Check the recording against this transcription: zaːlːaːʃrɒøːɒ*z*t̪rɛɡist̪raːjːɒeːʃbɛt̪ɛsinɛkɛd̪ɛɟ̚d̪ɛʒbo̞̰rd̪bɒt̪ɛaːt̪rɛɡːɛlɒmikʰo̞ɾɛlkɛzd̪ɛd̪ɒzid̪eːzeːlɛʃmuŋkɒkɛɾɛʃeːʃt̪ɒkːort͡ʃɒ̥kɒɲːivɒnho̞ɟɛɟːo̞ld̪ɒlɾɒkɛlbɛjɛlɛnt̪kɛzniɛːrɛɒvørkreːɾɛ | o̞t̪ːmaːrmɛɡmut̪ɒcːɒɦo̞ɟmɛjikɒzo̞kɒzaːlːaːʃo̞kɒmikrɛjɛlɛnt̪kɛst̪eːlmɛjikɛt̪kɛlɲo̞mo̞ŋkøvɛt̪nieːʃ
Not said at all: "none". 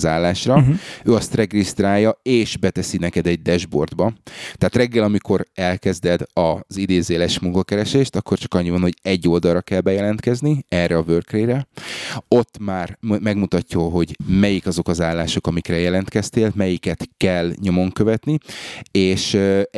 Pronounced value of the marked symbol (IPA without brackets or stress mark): s